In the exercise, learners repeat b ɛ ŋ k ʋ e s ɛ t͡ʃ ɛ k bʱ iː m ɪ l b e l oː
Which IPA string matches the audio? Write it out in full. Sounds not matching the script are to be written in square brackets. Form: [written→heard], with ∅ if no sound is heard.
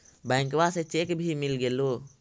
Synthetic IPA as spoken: b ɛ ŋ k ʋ [e→a] s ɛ t͡ʃ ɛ k bʱ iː m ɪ l [b→ɡ] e l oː